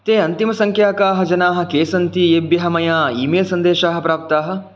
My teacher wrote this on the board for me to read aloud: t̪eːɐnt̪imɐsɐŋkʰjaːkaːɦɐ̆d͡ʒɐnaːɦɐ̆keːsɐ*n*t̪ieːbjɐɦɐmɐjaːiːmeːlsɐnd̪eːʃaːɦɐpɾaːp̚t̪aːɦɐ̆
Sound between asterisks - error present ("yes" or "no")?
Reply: no